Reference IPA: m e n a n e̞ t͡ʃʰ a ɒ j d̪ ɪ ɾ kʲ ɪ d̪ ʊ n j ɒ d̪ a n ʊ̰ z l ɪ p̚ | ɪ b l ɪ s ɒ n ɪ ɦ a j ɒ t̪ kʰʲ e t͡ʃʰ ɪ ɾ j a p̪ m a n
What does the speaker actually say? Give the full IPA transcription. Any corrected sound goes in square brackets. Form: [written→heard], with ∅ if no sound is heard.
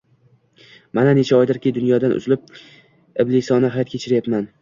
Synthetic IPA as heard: m [e→a] n a n e̞ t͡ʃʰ a ɒ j d̪ ɪ ɾ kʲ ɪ d̪ ʊ n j ɒ d̪ a n ʊ̰ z l ɪ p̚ | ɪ b l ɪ s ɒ n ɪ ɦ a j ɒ t̪ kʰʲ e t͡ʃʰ ɪ ɾ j a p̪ m a n